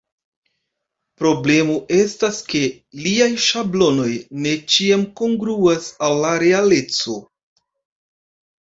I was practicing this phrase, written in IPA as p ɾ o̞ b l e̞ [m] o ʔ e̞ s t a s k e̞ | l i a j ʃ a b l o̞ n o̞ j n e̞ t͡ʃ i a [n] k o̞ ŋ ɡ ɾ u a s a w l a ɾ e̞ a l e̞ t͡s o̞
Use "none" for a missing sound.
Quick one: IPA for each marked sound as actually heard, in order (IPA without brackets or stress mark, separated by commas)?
m, m